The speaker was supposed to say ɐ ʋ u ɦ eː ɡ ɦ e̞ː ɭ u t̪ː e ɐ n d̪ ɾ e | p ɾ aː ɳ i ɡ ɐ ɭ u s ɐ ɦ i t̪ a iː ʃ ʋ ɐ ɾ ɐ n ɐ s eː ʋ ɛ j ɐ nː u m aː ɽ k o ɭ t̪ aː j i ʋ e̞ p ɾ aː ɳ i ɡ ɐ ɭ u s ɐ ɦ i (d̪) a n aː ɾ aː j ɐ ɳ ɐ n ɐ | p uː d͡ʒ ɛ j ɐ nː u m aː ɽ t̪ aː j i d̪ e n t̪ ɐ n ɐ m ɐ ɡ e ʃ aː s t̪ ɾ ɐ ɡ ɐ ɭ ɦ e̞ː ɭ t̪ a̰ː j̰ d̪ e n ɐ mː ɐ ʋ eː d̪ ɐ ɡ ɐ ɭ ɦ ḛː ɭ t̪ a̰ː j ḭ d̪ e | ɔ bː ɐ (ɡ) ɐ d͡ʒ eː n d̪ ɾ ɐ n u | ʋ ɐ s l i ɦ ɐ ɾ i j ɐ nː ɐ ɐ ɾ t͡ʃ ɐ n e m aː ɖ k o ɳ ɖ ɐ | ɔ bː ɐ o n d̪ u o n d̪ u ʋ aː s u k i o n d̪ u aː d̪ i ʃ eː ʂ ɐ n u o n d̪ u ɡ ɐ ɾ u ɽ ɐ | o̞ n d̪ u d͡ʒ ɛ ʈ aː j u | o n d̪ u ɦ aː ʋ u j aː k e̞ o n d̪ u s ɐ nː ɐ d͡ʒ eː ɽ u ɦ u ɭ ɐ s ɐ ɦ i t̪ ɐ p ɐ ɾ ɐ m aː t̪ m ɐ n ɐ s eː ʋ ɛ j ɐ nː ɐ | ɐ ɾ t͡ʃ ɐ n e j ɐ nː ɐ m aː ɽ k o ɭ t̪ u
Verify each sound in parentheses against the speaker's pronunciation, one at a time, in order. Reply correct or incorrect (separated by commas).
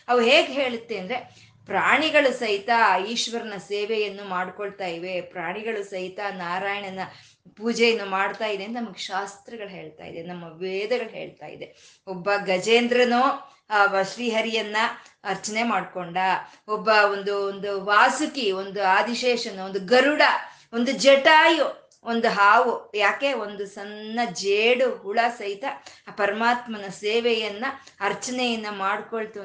incorrect, correct